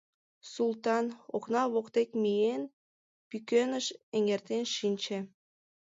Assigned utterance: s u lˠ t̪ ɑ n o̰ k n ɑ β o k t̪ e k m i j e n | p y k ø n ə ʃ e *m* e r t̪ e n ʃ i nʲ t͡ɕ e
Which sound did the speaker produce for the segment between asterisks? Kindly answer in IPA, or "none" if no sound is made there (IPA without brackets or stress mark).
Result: ŋ